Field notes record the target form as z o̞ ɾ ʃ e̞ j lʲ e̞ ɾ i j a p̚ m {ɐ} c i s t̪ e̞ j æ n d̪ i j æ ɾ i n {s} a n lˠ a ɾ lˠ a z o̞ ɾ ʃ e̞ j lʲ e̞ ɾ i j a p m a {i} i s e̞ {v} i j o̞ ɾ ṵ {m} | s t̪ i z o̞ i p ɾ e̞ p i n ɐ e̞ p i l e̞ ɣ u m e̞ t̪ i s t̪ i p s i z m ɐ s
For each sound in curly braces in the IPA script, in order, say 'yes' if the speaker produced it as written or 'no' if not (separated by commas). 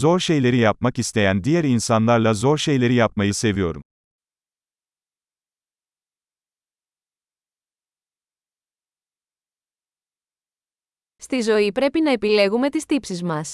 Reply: no, yes, no, yes, yes